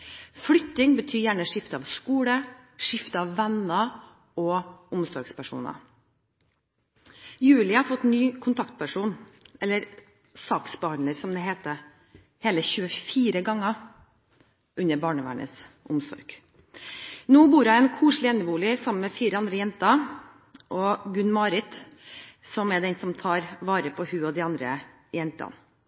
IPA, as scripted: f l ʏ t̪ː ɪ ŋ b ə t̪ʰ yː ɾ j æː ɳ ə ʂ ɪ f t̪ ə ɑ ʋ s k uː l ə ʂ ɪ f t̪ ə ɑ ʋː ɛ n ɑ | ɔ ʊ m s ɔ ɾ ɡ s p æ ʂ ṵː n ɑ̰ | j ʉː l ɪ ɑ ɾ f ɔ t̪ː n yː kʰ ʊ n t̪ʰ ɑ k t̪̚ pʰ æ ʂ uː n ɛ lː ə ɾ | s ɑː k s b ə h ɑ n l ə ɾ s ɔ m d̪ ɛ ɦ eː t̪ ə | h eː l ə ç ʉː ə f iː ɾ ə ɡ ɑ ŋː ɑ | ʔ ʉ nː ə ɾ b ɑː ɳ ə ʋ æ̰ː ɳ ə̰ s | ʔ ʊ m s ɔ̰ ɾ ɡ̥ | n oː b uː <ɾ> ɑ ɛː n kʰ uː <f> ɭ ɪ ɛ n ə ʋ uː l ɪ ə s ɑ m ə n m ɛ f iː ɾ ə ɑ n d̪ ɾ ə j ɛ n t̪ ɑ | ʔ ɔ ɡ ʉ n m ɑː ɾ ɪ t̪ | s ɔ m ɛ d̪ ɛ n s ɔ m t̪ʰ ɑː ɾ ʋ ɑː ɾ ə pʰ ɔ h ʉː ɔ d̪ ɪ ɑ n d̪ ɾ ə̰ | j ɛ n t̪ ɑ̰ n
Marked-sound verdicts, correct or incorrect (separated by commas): correct, incorrect